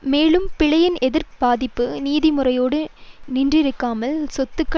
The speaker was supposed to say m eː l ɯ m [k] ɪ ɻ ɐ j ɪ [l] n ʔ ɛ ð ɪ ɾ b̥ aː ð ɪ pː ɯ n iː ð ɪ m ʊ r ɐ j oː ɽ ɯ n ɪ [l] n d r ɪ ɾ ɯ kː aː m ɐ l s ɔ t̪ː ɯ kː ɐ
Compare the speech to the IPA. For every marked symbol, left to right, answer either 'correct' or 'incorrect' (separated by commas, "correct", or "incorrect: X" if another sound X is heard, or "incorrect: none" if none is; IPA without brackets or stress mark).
incorrect: p, incorrect: none, incorrect: none